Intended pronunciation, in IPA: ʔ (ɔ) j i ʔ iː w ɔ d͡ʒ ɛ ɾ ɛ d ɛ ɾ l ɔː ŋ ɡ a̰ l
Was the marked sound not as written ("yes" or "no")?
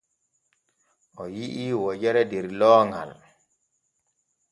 no